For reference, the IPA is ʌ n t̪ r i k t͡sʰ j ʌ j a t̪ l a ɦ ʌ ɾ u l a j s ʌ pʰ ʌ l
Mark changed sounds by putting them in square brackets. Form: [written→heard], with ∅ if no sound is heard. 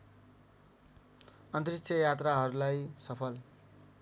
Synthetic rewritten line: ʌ n t̪ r i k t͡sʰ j ʌ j a t̪ [l→r] a ɦ ʌ ɾ u l a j s ʌ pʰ ʌ l

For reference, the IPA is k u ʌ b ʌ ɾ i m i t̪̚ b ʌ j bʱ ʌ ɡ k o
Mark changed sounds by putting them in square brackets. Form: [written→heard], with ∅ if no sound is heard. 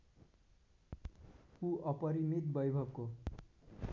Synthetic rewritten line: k u ʌ [b→p] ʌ ɾ i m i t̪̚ b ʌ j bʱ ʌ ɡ k o

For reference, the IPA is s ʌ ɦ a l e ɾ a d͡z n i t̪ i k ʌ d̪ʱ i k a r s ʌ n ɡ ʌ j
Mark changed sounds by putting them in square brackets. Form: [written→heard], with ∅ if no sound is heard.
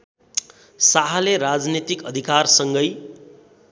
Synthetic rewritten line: s [ʌ→a] ɦ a l e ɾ a d͡z n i t̪ i k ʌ d̪ʱ i k a r s ʌ [n→ŋ] ɡ ʌ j

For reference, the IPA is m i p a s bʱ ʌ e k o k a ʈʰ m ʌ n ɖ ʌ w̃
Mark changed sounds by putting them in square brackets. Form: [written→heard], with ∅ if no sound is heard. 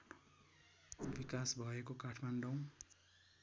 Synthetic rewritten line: [m→b] i [p→k] a s bʱ ʌ e k o k a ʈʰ m [ʌ→a] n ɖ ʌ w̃

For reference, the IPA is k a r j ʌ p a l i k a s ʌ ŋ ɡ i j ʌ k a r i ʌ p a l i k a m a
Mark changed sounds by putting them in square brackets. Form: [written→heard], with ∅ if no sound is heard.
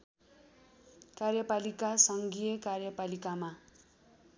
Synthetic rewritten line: k a r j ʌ p a l i k a s ʌ ŋ ɡ i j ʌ k a r [i→j] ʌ p a l i k a m a

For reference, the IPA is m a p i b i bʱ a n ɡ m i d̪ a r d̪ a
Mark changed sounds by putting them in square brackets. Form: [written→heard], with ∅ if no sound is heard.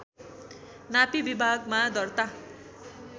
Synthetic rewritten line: [m→n] a p i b i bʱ a [n→∅] ɡ m [i→a] d̪ [a→ʌ] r [d̪→t̪] a

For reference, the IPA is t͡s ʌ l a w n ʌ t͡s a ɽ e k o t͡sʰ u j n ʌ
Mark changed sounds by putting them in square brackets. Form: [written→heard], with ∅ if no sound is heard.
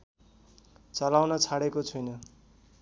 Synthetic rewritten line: t͡s ʌ l a w n ʌ [t͡s→t͡sʰ] a ɽ e k o t͡sʰ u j n ʌ

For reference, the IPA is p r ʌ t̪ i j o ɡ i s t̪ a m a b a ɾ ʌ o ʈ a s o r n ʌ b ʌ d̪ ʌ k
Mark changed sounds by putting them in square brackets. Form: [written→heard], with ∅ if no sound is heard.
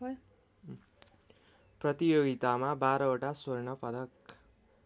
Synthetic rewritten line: p r ʌ t̪ i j o ɡ i [s→∅] t̪ a m a b a ɾ ʌ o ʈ a s o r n ʌ [b→p] ʌ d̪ ʌ k

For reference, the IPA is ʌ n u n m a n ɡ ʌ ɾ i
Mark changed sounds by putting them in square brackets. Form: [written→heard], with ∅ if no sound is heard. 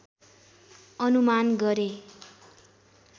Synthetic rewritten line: ʌ n u [n→∅] m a n ɡ ʌ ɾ [i→e]

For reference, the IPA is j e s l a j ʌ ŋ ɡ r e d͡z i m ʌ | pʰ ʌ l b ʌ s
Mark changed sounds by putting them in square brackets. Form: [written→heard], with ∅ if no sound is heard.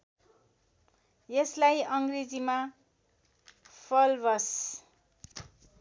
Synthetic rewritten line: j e s l a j ʌ ŋ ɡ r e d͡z i m [ʌ→a] | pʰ ʌ l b ʌ s

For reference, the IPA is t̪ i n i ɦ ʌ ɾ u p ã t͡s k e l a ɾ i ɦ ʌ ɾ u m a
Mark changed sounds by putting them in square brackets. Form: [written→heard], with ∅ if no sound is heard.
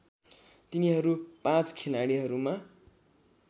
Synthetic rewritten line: t̪ i n i ɦ ʌ ɾ u p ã t͡s [k→kʰ] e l a [ɾ→ɽ] i ɦ ʌ ɾ u m a

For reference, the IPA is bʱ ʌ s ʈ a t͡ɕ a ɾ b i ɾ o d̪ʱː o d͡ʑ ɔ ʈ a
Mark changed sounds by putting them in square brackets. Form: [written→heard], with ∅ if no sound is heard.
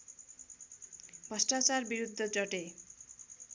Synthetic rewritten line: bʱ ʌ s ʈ a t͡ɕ a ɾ b i ɾ [o→u] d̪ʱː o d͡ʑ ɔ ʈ [a→e]

